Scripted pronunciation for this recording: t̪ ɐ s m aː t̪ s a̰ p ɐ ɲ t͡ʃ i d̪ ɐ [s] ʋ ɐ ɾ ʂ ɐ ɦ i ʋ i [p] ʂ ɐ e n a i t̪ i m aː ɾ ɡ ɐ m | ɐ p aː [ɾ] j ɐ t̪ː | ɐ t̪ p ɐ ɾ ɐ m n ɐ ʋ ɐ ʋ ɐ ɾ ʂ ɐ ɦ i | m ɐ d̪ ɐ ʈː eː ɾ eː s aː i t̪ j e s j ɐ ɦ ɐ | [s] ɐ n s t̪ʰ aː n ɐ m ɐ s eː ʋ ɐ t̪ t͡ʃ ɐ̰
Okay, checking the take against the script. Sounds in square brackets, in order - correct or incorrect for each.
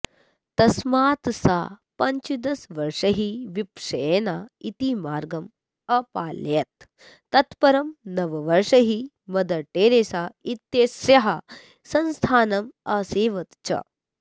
correct, correct, incorrect: l, correct

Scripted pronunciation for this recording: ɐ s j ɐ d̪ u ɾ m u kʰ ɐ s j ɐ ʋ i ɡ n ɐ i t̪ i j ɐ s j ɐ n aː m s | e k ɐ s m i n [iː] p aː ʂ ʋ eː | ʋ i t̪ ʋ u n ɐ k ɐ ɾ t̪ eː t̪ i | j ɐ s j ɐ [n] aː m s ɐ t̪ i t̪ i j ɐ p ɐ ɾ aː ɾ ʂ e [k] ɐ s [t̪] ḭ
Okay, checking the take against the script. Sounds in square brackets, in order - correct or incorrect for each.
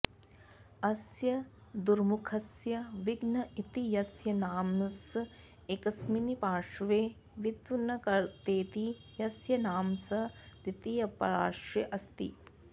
incorrect: i, correct, incorrect: ʔ, correct

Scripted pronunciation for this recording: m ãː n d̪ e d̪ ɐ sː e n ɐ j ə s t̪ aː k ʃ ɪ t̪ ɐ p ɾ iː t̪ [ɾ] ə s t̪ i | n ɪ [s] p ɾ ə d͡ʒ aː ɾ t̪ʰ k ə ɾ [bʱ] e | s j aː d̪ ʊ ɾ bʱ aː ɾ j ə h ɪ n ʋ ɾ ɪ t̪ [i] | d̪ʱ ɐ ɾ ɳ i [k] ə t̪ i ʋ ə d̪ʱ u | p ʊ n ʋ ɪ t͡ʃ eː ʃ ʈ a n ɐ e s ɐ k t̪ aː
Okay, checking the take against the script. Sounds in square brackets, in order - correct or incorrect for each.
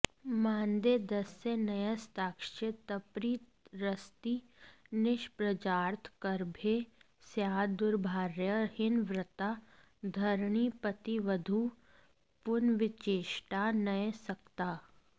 correct, incorrect: ʃ, correct, incorrect: a, incorrect: p

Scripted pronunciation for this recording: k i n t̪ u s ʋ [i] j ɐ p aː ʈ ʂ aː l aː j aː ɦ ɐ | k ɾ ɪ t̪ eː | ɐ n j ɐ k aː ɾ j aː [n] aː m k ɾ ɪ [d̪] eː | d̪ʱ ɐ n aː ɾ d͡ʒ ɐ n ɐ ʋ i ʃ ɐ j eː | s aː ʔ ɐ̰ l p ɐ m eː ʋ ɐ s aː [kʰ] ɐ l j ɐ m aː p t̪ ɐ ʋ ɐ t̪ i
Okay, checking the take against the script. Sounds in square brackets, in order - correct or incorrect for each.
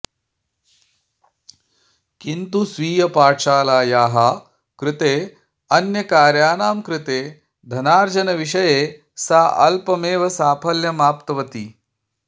incorrect: iː, correct, incorrect: t̪, incorrect: pʰ

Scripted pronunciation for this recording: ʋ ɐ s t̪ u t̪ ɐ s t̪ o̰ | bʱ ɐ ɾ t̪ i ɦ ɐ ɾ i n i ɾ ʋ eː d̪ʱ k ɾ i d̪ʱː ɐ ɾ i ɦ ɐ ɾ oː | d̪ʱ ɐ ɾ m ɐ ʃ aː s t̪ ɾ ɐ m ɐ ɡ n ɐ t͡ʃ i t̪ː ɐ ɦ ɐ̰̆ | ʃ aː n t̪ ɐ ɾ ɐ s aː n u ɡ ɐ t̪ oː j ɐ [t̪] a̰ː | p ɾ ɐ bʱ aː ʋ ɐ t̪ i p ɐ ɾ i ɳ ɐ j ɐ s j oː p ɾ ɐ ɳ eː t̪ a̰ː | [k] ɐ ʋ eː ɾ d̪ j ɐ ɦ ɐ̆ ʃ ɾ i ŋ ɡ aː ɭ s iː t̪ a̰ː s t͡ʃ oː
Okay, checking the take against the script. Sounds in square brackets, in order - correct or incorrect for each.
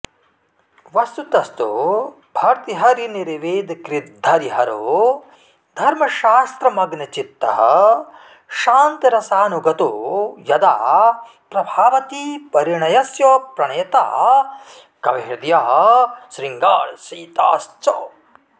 incorrect: d̪, correct

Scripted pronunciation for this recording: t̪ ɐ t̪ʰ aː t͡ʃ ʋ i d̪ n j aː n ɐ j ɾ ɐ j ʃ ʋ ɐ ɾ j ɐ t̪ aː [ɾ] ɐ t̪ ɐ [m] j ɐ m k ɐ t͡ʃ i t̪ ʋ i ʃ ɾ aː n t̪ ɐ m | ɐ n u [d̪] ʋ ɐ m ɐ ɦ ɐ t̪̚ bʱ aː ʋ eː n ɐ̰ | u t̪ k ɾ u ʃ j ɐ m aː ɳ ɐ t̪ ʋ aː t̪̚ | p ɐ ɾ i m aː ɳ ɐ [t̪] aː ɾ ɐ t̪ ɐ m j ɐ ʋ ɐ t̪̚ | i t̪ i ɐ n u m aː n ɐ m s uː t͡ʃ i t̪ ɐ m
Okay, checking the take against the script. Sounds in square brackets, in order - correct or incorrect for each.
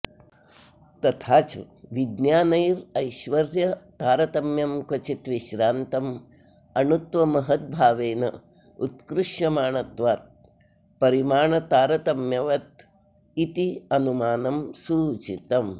correct, correct, incorrect: t̪, correct

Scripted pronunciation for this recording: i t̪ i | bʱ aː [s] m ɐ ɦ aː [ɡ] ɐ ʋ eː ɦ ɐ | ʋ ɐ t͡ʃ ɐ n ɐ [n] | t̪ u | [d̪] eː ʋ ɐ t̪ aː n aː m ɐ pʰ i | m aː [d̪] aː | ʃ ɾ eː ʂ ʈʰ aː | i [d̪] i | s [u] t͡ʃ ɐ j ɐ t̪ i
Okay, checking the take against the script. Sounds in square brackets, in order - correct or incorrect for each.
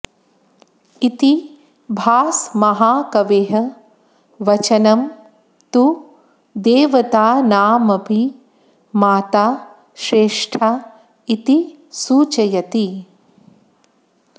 correct, incorrect: k, incorrect: m, correct, incorrect: t̪, incorrect: t̪, incorrect: uː

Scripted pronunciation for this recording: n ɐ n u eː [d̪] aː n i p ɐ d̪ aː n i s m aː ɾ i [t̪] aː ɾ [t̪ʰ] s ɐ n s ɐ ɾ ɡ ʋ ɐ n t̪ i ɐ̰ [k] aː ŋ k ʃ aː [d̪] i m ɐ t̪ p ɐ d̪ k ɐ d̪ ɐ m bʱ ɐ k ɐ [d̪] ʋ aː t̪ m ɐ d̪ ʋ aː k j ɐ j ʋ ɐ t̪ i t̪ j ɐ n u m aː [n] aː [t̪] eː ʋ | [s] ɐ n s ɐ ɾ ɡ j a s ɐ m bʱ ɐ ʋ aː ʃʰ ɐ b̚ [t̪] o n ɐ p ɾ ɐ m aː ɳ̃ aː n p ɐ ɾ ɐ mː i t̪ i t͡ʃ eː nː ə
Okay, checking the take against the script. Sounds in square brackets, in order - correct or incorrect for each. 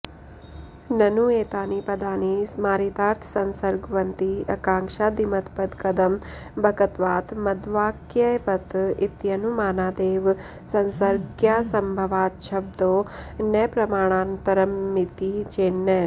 incorrect: t̪, correct, correct, correct, correct, incorrect: t̪, correct, incorrect: d̪, correct, incorrect: d̪

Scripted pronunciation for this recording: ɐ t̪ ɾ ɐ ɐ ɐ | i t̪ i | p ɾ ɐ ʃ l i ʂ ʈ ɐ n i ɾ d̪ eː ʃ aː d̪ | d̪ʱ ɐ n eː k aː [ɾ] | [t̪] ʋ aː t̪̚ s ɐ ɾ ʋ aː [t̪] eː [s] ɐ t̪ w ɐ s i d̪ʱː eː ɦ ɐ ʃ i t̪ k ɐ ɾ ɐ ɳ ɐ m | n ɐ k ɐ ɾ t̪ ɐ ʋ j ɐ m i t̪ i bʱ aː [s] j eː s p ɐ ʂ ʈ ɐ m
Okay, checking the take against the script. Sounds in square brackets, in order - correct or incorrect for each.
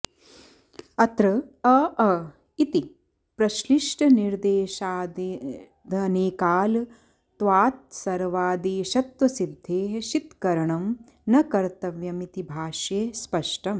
incorrect: l, correct, incorrect: d̪, incorrect: ʃ, incorrect: ʃ

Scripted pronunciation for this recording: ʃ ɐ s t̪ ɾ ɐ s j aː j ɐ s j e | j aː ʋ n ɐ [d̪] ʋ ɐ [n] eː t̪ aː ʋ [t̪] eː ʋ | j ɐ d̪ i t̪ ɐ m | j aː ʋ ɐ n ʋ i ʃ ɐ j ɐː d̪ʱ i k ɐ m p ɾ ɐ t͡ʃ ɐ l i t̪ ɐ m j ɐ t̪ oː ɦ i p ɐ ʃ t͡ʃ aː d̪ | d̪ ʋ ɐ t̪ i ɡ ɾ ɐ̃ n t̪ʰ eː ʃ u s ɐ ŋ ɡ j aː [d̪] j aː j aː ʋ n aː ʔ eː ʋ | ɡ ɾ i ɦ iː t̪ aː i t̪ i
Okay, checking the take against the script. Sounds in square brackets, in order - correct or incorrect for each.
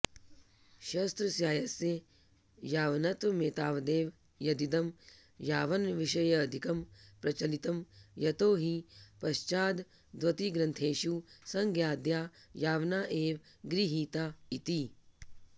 incorrect: t̪, incorrect: m, incorrect: d̪, correct

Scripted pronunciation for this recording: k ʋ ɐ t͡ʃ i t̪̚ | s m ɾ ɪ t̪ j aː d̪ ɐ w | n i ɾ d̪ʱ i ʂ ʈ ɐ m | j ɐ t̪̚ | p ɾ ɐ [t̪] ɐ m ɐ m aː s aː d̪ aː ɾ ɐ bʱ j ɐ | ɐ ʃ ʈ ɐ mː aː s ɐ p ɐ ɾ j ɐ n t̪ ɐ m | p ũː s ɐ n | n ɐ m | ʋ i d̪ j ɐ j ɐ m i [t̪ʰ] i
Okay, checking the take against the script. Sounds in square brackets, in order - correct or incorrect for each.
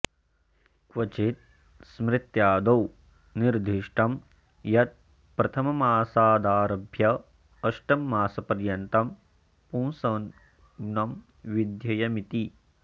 incorrect: t̪ʰ, incorrect: t̪

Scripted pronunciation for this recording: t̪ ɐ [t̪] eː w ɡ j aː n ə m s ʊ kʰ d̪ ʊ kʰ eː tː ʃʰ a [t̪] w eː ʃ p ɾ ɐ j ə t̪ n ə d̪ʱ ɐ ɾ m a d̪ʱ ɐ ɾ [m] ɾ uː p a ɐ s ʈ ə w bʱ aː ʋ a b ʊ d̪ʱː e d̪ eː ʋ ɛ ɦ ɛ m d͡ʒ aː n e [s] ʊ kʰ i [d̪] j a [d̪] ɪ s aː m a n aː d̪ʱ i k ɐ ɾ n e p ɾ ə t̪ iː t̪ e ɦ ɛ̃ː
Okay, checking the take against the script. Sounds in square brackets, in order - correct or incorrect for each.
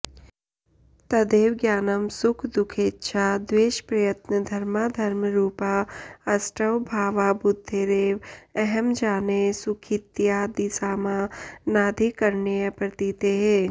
incorrect: d̪, incorrect: d̪, correct, correct, incorrect: t̪, correct

